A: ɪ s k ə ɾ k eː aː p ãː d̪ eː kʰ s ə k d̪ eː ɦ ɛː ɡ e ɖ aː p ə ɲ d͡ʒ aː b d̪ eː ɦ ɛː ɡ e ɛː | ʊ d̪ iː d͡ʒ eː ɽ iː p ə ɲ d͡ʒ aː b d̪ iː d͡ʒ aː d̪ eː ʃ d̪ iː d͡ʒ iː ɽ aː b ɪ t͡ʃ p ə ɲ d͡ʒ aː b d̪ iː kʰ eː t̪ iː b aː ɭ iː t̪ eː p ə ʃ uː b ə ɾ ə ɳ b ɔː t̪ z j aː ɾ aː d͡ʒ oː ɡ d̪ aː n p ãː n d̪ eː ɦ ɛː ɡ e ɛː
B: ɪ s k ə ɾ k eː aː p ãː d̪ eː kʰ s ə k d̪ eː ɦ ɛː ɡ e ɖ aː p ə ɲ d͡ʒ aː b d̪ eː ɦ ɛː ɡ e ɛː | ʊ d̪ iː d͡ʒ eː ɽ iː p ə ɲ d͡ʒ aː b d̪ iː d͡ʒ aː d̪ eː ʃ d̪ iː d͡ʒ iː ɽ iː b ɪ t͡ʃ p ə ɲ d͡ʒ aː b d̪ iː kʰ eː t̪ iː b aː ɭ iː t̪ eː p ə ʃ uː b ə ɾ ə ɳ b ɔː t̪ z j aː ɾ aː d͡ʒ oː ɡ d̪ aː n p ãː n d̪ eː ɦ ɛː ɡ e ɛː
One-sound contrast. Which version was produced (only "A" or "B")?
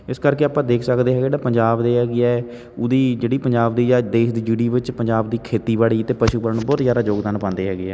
B